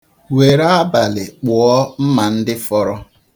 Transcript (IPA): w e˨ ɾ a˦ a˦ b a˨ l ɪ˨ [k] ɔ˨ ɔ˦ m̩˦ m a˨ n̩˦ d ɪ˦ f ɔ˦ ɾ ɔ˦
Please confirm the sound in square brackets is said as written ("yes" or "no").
no